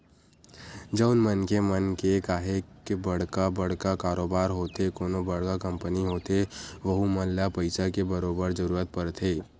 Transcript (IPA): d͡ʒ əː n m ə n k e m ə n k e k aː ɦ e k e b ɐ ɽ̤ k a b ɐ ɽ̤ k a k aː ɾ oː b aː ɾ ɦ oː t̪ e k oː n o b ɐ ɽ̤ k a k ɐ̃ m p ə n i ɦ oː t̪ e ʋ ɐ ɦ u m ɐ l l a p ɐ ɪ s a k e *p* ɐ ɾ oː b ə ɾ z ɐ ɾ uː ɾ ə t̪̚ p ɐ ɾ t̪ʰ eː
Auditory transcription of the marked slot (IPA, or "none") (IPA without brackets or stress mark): b